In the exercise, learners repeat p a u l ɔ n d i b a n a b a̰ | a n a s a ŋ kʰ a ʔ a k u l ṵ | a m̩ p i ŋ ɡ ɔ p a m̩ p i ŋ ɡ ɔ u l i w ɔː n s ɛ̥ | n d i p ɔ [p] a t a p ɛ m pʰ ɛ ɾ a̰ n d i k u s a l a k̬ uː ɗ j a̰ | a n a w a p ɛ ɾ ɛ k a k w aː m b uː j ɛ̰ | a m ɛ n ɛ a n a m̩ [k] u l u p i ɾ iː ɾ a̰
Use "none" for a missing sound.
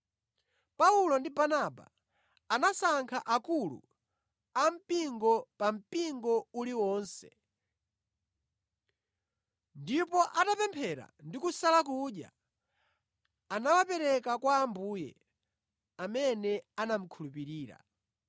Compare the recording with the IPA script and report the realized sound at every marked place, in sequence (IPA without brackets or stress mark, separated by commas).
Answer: ʔ, kʰ